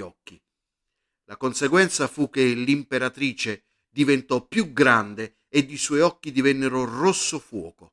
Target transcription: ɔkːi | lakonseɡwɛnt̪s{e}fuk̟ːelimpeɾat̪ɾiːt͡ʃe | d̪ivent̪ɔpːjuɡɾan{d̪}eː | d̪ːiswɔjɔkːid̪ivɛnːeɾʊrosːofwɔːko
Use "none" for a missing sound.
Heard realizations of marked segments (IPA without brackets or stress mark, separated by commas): a, d̪